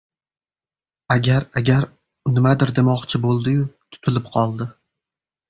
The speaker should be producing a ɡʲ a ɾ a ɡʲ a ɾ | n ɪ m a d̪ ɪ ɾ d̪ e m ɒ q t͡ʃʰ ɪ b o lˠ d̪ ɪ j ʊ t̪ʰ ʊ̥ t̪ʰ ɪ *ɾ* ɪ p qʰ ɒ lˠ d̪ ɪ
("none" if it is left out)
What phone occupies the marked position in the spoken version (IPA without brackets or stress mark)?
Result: l